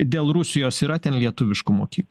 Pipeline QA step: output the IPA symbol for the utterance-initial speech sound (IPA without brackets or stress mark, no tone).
d̪ʲ